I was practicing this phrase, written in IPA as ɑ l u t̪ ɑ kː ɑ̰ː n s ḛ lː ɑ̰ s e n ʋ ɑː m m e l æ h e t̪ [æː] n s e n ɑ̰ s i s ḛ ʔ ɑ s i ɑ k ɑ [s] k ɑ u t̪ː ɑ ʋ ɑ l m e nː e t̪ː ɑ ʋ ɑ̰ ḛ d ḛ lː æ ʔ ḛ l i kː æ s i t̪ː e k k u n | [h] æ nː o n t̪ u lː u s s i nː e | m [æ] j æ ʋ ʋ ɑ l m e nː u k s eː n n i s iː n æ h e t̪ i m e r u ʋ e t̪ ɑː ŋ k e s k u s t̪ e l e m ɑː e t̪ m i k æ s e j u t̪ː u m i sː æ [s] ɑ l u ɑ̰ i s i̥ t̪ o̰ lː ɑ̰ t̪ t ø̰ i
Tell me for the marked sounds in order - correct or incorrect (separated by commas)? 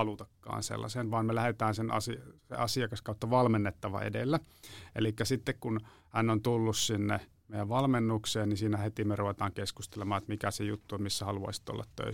correct, correct, correct, incorrect, incorrect